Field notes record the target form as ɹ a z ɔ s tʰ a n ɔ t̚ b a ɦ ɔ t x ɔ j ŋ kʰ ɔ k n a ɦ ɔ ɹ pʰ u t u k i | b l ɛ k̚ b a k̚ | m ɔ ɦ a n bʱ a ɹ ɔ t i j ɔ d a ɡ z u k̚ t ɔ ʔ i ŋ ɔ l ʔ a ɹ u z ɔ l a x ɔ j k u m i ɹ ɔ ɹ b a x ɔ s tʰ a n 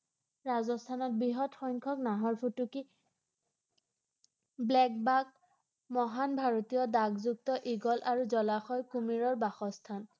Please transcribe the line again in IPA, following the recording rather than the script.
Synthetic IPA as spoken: ɹ a z ɔ s tʰ a n ɔ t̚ b i ɦ ɔ t x ɔ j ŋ kʰ ɔ k n a ɦ ɔ ɹ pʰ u t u k i | b l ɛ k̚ b a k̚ | m ɔ ɦ a n bʱ a ɹ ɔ t i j ɔ d a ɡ z u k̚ t ɔ ʔ i ɡ ɔ l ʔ a ɹ u z ɔ l a x ɔ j k u m i ɹ ɔ ɹ b a x ɔ s tʰ a n